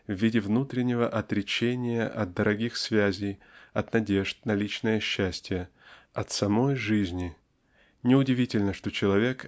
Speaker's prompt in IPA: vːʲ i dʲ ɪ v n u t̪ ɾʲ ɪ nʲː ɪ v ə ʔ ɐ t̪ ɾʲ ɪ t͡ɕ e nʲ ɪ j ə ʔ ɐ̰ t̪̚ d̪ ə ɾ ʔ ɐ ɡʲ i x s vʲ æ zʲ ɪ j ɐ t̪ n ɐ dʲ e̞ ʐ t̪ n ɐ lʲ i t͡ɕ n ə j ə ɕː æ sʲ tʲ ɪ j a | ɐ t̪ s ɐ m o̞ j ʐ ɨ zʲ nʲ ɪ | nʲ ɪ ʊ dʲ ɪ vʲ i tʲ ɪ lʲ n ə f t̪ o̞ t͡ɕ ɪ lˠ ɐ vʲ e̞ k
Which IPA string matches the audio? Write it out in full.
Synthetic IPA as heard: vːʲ i dʲ ɪ v n u t̪ ɾʲ ɪ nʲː ɪ v ə ʔ ɐ t̪ ɾʲ ɪ t͡ɕ e nʲ ɪ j ə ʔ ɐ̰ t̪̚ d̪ ə ɾ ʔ ɐ ɡʲ i x s vʲ æ zʲ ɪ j ɐ t̪ n ɐ dʲ e̞ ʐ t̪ n ɐ lʲ i t͡ɕ n ə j ə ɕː æ sʲ tʲ ɪ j ə | ɐ t̪ s ɐ m o̞ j ʐ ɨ zʲ nʲ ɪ | nʲ ɪ ʊ dʲ ɪ vʲ i tʲ ɪ lʲ n ə ʂ t̪ o̞ t͡ɕ ɪ lˠ ɐ vʲ e̞ k